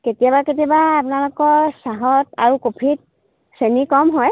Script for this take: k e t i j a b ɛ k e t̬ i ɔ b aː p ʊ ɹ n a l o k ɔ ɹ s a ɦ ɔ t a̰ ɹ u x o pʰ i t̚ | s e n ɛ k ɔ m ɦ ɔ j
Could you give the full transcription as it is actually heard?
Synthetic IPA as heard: k e t i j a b a k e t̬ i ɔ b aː p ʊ n a l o k ɔ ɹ s a ɦ ɔ t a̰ ɹ u k o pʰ i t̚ | s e n i k ɔ m ɦ ɔ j